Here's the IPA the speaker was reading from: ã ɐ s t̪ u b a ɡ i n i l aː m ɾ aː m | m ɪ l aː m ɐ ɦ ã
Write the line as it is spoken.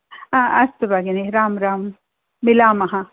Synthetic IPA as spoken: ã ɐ s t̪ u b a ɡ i n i ɾ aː m ɾ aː m | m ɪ l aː m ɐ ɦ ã